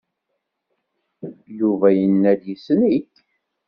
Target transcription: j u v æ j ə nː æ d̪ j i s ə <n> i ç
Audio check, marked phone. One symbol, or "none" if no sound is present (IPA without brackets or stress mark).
n